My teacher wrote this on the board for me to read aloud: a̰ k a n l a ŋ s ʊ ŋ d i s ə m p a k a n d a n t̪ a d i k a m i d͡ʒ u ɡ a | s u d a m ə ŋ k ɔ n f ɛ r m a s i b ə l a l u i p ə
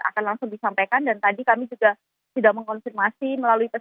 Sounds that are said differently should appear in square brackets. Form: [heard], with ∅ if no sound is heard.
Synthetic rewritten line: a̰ k a n l a ŋ s ʊ ŋ d i s [a] m p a k a n d a n t̪ a d i k a m i d͡ʒ u ɡ a | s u d a m ə ŋ k ɔ n f [i] r m a s i [m] ə l a l u i p ə